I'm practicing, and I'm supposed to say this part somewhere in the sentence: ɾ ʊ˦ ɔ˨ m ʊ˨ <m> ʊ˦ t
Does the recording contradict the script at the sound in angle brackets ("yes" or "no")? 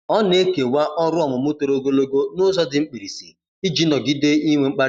no